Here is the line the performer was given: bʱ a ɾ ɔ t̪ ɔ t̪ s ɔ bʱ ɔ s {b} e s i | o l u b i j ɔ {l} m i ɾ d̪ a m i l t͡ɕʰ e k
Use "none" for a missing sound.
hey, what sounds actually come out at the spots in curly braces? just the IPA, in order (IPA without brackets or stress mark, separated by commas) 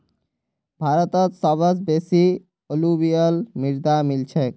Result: b, l